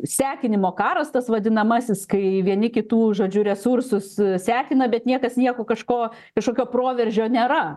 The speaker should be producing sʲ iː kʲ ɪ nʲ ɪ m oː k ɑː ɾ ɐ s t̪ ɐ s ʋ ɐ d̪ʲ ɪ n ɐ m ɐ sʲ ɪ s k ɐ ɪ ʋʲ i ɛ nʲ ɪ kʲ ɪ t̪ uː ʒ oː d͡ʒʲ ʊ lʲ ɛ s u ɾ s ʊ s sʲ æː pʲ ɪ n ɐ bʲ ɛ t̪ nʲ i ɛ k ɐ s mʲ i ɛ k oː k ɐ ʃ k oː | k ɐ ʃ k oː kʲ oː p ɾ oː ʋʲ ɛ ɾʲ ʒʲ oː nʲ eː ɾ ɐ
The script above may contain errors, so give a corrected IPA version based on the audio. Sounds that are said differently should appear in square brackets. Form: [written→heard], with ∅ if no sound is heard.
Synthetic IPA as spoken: sʲ [iː→æː] kʲ ɪ nʲ ɪ m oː k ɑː ɾ ɐ s t̪ ɐ s ʋ ɐ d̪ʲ ɪ n ɐ m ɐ sʲ ɪ s k ɐ ɪ ʋʲ i ɛ nʲ ɪ kʲ ɪ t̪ uː ʒ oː d͡ʒʲ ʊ [lʲ→ɾʲ] ɛ s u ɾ s ʊ s sʲ æː [pʲ→kʲ] ɪ n ɐ bʲ ɛ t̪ nʲ i ɛ k ɐ s [mʲ→nʲ] i ɛ k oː k ɐ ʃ k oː | k ɐ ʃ k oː kʲ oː p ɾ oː ʋʲ ɛ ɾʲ ʒʲ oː nʲ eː ɾ ɐ